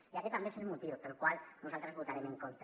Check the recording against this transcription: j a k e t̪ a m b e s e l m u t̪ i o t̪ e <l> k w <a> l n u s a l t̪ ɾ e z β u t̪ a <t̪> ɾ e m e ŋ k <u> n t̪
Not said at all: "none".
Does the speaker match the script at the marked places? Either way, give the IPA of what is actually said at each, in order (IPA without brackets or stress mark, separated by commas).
l, a, none, o